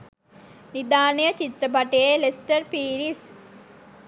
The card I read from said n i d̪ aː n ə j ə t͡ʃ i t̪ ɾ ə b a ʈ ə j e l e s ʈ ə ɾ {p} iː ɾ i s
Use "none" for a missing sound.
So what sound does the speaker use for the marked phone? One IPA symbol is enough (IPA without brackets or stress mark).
p